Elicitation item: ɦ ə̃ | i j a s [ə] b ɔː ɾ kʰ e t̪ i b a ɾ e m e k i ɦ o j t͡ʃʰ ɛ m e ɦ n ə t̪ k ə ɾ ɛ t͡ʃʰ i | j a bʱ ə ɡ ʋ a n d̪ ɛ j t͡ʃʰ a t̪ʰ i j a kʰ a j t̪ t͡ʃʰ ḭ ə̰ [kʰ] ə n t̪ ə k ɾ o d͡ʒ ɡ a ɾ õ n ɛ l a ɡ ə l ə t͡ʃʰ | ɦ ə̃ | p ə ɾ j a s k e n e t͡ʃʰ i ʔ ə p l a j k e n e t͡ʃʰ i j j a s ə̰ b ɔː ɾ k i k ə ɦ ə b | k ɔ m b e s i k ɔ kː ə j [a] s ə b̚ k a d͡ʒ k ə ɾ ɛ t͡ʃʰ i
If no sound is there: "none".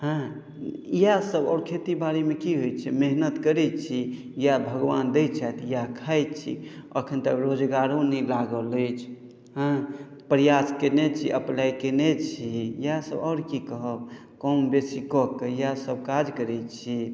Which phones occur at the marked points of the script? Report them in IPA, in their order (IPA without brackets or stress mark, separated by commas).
ə, kʰ, a